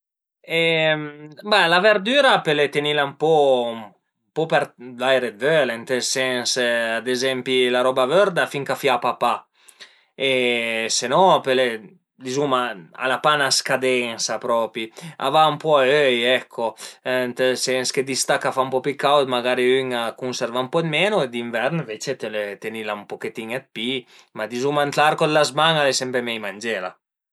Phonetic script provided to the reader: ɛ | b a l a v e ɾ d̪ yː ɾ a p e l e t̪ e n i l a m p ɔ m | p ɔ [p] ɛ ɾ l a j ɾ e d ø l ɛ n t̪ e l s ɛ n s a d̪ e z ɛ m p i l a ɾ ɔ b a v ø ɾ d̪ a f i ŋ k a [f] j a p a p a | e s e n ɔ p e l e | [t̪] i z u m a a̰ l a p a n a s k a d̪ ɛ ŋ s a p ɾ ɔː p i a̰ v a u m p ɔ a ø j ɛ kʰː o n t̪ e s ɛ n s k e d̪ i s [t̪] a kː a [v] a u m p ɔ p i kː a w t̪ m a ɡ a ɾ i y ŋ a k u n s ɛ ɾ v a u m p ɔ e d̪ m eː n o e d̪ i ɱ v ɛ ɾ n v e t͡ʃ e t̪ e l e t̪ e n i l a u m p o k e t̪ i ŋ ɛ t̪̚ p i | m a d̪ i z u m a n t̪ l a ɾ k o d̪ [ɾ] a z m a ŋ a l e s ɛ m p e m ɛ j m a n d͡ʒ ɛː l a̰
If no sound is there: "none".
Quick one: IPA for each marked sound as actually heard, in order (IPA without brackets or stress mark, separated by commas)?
p, f, d̪, t̪, f, l